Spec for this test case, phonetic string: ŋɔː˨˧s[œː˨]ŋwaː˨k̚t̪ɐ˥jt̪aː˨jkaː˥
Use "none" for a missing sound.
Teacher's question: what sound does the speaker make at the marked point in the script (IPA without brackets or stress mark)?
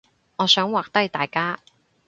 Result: œː˨˥